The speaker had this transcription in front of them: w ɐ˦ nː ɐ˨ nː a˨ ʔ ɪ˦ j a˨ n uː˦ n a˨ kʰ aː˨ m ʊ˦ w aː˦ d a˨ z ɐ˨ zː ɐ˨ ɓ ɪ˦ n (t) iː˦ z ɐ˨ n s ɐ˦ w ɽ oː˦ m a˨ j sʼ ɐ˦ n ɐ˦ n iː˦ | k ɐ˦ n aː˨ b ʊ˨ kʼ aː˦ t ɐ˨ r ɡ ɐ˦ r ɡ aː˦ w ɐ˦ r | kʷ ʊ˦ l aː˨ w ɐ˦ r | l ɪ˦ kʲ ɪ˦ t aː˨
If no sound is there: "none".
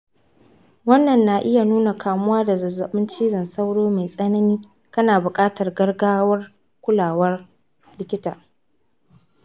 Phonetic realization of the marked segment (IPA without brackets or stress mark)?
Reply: t͡ʃ